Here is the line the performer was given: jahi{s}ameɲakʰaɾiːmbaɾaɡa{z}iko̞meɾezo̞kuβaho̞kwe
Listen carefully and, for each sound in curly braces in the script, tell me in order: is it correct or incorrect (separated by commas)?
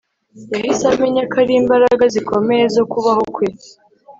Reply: correct, correct